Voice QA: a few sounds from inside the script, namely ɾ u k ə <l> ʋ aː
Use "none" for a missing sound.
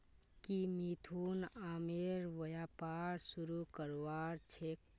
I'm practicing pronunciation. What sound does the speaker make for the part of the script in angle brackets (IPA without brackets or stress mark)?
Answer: ɾ